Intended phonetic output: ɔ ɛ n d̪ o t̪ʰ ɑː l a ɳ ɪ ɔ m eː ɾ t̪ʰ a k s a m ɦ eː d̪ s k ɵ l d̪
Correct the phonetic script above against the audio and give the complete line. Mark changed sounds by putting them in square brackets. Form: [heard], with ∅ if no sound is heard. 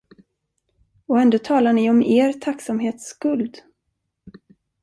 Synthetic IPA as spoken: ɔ ɛ n d̪ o t̪ʰ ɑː l a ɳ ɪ ɔ m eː ɾ t̪ʰ a k s a m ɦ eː [t̪] s k ɵ l d̪